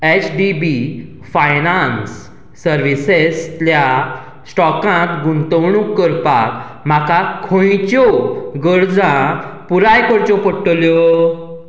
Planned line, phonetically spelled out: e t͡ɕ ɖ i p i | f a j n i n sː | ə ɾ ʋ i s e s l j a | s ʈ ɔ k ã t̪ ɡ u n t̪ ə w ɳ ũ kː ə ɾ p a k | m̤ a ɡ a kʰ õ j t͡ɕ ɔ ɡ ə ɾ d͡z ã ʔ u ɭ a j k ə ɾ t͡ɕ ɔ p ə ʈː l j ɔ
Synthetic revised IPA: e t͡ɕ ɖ i b i | f a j n a n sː | ə ɾ ʋ i s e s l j a | s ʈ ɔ k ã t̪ ɡ u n t̪ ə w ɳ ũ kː ə ɾ p a k | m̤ a k a kʰ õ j t͡ɕ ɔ ɡ ə ɾ d͡z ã p u ɾ a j k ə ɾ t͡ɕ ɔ p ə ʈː l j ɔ

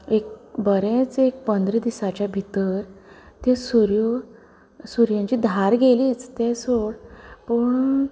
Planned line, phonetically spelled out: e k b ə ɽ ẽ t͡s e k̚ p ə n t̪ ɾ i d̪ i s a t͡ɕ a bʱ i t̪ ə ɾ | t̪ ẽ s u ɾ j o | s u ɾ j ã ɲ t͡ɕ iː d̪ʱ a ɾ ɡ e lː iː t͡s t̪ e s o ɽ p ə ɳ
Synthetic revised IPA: e k b ə ɾ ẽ t͡s e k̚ p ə n d̪ ɾ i d̪ i s a t͡ɕ a bʱ i t̪ ə ɾ | t̪ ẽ s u ɾ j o | s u ɾ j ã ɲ t͡ɕ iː d̪ʱ a ɾ ɡ e l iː t͡s t̪ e s o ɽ p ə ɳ

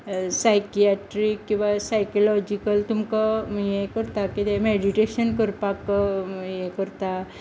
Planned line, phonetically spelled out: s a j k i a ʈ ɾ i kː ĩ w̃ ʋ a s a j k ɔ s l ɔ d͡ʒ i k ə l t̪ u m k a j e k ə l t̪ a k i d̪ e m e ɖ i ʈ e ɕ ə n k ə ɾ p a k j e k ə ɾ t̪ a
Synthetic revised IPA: s a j k i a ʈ ɾ i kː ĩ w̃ ʋ a s a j k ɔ l ɔ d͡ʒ i k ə l t̪ u m k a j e k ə ɾ t̪ a k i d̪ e m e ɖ i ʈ e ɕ ə n k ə ɾ p a k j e k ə ɾ t̪ a

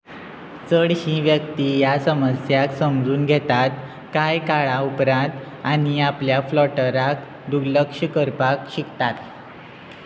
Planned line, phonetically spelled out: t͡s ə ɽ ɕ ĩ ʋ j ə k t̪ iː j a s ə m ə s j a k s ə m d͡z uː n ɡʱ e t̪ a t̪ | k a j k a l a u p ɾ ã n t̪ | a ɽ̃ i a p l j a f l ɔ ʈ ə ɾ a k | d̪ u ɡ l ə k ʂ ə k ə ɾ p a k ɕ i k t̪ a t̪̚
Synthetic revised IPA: t͡s ə ɽ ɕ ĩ ʋ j ə k t̪ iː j a s ə m ə s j a k s ə m d͡z uː n ɡʱ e t̪ a t̪ | k a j k a ɭ a u p ɾ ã n t̪ | a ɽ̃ i a p l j a f l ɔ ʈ ə ɾ a k | d̪ u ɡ l ə k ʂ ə k ə ɾ p a k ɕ i k t̪ a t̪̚

